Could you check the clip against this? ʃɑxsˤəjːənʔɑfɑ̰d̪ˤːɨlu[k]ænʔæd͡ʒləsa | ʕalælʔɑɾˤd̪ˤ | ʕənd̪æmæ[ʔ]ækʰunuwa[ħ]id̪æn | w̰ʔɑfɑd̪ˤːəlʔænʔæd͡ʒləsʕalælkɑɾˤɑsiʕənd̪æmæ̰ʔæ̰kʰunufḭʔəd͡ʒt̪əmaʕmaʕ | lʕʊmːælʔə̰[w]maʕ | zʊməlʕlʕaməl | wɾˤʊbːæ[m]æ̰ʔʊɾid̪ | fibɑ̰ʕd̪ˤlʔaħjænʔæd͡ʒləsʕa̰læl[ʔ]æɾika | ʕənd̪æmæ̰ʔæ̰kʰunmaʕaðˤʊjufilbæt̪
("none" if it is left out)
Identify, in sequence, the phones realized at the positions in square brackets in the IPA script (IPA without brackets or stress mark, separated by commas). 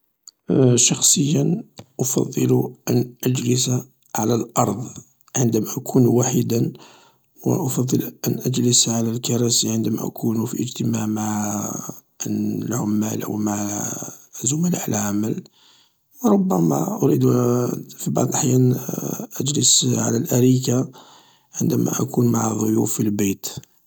ʔ, ʔ, ħ, w, m, ʔ